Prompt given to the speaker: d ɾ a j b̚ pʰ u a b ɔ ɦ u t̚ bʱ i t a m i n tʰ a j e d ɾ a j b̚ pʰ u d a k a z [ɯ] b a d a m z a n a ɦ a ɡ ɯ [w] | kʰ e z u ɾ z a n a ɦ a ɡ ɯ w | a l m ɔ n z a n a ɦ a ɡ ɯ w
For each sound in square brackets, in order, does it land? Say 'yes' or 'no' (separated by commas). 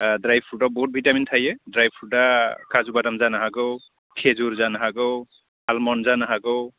no, yes